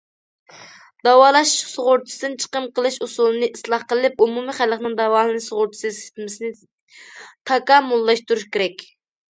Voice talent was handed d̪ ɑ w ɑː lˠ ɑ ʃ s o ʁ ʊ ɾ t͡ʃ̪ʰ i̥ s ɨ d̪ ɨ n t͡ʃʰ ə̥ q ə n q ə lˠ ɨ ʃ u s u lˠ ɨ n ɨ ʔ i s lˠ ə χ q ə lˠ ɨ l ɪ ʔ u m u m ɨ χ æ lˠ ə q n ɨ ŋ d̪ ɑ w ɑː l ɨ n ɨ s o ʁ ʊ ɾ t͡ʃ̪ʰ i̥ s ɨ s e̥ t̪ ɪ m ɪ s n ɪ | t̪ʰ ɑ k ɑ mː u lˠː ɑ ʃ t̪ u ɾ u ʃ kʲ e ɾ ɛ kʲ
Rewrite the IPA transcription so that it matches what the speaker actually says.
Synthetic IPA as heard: d̪ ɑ w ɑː lˠ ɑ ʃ s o ʁ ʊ ɾ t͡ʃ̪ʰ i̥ s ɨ d̪ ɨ n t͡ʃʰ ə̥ q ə m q ə lˠ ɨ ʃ u s u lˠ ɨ n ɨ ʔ i s lˠ ɑ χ q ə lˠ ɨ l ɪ p u m u m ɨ χ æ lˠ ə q n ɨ ŋ d̪ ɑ w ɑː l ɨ n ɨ s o ʁ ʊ ɾ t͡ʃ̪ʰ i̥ s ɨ s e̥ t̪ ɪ m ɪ s n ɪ | t̪ʰ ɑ k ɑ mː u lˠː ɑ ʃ t̪ u ɾ u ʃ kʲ e ɾ ɛ kʲ